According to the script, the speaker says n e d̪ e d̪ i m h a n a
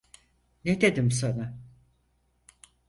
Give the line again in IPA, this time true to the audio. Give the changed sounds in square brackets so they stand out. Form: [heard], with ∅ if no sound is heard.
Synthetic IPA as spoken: n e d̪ e d̪ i m [s] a n a